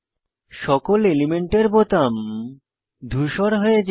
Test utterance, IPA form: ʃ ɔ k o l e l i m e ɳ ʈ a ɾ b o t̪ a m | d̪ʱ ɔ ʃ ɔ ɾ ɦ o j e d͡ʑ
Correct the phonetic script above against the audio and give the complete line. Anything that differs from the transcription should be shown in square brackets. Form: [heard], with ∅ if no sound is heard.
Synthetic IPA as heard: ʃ ɔ k o l e l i m e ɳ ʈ [e] ɾ b o t̪ a m | d̪ʱ [u] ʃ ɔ ɾ ɦ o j e d͡ʑ